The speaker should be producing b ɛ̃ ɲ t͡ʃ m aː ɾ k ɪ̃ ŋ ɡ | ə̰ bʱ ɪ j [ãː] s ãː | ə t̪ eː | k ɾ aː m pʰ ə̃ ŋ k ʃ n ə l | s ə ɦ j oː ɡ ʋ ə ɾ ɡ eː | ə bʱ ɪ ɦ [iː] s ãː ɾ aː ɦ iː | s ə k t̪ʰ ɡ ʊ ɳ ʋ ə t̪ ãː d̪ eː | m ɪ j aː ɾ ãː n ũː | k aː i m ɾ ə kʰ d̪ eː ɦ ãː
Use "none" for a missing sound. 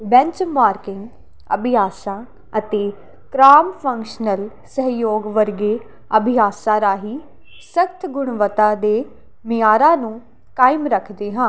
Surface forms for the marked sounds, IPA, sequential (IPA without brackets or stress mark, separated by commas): aː, aː